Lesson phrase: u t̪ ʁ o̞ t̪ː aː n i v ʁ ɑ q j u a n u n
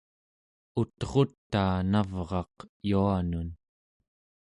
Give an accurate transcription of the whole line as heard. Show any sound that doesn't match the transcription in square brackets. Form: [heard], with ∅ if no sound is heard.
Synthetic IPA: u t̪ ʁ o̞ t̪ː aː n [a] v ʁ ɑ q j u a n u n